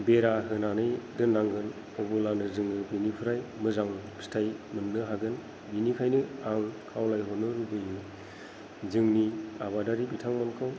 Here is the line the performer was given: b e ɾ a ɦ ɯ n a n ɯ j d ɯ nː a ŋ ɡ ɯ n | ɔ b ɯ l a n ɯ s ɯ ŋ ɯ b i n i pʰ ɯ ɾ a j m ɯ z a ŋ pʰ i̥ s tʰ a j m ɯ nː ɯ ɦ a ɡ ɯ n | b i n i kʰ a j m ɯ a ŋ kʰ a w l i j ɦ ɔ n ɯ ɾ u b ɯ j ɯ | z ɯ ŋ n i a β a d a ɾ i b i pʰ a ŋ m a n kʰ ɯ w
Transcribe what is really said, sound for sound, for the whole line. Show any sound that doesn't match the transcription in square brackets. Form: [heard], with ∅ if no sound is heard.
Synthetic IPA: b e ɾ a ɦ ɯ n a n ɯ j d ɯ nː a ŋ ɡ ɯ n | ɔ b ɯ l a n ɯ [z] ɯ ŋ ɯ b i n i pʰ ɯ ɾ a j m ɯ z a ŋ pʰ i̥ s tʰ a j m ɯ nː ɯ ɦ a ɡ ɯ n | b i n i kʰ a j [n] ɯ a ŋ kʰ a w l [a] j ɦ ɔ n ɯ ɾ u b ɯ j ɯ | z ɯ ŋ n i a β a d a ɾ i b i [tʰ] a ŋ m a n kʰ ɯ w